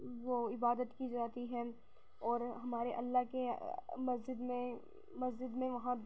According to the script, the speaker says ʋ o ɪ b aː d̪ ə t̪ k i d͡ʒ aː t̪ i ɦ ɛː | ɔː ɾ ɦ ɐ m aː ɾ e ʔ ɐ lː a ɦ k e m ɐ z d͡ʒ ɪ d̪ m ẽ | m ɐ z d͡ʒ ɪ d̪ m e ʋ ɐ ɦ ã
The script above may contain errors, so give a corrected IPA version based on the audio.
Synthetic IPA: ʋ o ɪ b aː d̪ ə t̪ k i d͡ʒ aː t̪ i ɦ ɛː | ɔː ɾ ɦ ɐ m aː ɾ e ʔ ɐ lː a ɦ k e m ɐ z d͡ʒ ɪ d̪ m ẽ | m ɐ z d͡ʒ ɪ d̪ m ẽ ʋ ɐ ɦ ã